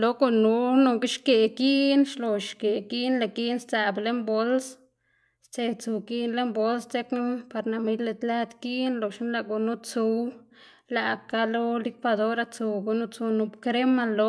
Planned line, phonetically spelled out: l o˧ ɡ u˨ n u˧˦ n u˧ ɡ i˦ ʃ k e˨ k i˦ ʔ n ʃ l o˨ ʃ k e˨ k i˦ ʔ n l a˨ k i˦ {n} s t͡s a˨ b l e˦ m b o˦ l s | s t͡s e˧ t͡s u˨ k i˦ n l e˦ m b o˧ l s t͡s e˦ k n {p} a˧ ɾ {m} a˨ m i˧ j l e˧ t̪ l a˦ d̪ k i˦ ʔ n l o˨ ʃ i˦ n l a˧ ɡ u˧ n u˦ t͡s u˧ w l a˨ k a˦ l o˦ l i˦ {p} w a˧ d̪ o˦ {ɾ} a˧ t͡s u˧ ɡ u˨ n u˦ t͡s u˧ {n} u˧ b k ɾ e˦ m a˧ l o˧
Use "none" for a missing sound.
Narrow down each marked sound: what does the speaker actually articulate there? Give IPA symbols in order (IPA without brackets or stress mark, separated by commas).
n, p, n, k, ɾ, n